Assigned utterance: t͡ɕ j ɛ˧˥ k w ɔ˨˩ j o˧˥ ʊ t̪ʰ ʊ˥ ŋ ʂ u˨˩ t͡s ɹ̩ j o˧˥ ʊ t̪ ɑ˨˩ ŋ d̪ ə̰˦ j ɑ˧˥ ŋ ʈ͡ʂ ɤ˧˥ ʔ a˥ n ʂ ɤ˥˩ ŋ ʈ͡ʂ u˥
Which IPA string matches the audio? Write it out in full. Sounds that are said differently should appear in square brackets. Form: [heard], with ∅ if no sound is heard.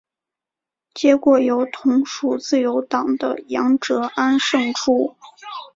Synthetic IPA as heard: t͡ɕ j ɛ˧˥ k w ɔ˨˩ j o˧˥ ʊ t̪ʰ [ʊ˧˥] ŋ ʂ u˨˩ t͡s ɹ̩ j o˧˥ ʊ t̪ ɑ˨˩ ŋ d̪ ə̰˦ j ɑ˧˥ ŋ ʈ͡ʂ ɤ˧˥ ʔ a˥ n ʂ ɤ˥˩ ŋ [ʈ͡ʂʰ] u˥